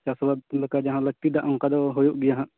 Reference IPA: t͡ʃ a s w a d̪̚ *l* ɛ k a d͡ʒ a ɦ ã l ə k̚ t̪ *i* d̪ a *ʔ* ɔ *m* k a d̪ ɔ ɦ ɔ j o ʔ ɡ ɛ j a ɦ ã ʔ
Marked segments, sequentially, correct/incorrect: correct, correct, correct, incorrect

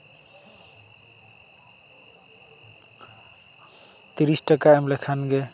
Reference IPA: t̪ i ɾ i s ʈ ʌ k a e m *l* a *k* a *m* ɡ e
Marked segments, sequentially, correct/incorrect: correct, incorrect, incorrect

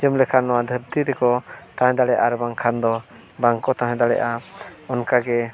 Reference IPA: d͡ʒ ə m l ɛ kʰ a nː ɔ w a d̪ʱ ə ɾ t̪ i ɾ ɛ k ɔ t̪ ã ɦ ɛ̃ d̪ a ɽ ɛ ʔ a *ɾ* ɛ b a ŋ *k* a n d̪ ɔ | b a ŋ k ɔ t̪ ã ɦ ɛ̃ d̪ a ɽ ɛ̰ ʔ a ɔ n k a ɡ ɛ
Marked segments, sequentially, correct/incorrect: correct, incorrect

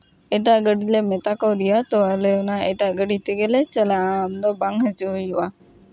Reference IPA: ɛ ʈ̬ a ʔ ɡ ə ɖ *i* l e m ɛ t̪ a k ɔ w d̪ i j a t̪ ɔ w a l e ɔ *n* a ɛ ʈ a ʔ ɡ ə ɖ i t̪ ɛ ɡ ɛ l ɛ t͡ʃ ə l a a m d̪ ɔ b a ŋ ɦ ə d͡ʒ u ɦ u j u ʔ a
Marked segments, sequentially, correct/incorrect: correct, correct

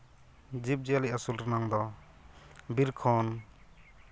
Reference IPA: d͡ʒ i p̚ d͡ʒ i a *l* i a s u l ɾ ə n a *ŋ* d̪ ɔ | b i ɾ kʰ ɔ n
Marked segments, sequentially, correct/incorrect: correct, correct

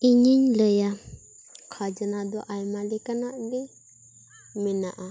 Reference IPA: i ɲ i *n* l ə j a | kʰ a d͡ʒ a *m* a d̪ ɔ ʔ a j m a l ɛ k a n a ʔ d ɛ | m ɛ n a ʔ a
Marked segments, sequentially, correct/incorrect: incorrect, incorrect

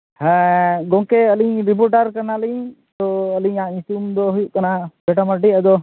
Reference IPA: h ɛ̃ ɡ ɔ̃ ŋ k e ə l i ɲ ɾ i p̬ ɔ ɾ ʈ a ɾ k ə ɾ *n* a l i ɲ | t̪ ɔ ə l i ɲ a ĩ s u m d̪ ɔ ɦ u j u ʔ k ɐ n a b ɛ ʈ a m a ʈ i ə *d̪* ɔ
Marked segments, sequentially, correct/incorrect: correct, correct

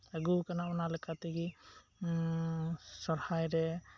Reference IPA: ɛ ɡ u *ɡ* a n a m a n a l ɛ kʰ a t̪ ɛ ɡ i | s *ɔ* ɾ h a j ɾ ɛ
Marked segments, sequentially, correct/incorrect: incorrect, correct

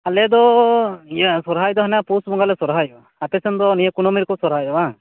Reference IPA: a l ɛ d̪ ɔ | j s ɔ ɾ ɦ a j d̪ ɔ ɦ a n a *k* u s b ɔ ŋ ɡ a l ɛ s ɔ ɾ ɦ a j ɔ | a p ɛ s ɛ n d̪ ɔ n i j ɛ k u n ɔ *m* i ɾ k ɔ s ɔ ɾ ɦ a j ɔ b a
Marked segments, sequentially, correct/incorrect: incorrect, correct

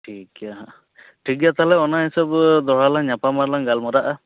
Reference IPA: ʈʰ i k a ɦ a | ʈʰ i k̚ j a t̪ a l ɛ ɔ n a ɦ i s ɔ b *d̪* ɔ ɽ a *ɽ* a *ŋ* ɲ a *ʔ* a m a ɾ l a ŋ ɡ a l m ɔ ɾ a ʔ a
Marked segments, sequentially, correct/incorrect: correct, incorrect, correct, incorrect

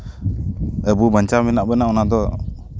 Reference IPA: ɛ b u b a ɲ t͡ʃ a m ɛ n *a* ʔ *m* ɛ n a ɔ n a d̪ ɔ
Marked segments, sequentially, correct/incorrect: correct, incorrect

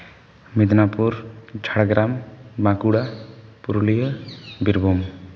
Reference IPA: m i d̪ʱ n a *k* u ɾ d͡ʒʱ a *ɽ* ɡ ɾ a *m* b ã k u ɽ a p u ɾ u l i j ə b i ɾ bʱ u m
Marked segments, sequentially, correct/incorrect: incorrect, correct, correct

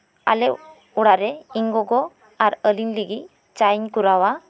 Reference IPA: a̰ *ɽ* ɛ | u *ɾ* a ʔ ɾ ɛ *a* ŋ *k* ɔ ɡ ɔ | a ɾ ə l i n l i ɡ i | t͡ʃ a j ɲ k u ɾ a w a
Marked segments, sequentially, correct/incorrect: incorrect, incorrect, incorrect, incorrect

